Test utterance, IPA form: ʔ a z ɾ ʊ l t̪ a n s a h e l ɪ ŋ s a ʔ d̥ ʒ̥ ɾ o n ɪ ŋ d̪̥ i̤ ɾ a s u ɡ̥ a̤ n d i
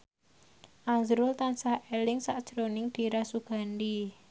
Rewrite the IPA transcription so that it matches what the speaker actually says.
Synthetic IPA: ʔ a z ɾ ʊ l t̪ a n s a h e l ɪ ŋ s a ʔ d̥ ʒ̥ ɾ o n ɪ ŋ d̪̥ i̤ ɾ a s u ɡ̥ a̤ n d i

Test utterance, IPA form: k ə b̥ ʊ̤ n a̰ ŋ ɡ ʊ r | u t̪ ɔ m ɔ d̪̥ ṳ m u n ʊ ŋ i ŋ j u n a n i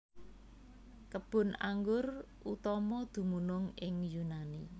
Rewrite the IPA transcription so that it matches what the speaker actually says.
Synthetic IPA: k ə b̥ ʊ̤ n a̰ ŋ ɡ ʊ r | u t̪ ɔ m ɔ d̪̥ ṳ m u n ʊ ŋ ɪ ŋ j u n a n i

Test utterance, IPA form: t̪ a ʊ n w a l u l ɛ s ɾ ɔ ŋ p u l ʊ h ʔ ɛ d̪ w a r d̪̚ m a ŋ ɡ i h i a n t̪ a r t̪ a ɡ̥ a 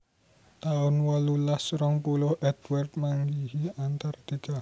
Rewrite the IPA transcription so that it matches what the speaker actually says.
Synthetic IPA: t̪ a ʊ n w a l u l a s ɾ ɔ ŋ p u l ʊ h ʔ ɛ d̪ w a r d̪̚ m a ŋ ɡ i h i a n t̪ a r t̪ i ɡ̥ a

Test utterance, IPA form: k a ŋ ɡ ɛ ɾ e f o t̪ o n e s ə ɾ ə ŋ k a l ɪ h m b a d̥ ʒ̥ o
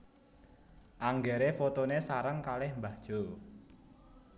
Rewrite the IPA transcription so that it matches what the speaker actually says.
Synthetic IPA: ʔ a ŋ ɡ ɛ ɾ e f o t̪ o n e s a ɾ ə ŋ k a l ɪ h m b a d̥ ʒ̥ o

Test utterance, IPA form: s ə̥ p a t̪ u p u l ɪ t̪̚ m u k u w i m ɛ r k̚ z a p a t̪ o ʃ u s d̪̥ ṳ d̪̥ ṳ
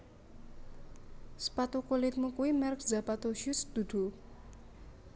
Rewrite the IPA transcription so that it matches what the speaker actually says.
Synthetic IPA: s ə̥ p a t̪ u k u l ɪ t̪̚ m u k u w i m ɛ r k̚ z a p a t̪ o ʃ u s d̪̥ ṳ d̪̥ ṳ

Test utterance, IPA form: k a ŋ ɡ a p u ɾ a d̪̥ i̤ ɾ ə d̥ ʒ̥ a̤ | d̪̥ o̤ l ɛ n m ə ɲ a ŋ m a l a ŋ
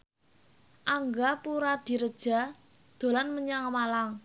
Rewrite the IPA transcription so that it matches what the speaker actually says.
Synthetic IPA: ʔ a ŋ ɡ a p u ɾ a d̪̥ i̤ ɾ ə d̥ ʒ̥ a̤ | d̪̥ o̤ l a n m ə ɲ a ŋ m a l a ŋ

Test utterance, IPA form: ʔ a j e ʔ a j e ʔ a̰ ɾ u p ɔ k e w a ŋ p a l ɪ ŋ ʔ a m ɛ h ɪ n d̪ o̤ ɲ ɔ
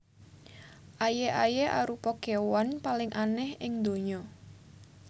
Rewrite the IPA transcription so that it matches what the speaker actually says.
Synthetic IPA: ʔ a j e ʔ a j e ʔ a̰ ɾ u p ɔ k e w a n p a l ɪ ŋ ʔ a n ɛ h ɪ ŋ d̪ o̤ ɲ ɔ

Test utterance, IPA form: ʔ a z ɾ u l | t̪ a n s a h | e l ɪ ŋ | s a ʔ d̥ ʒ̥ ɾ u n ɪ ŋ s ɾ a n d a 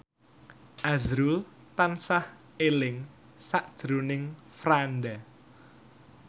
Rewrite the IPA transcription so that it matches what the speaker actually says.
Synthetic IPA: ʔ a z ɾ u l | t̪ a n s a h | e l ɪ ŋ | s a ʔ d̥ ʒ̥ ɾ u n ɪ ŋ f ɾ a n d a

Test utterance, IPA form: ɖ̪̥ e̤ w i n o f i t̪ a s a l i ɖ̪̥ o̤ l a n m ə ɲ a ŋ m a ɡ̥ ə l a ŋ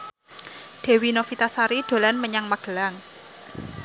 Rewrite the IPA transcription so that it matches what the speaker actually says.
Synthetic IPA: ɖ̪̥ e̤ w i n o f i t̪ a s a ɾ i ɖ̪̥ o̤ l a n m ə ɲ a ŋ m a ɡ̥ ə l a ŋ

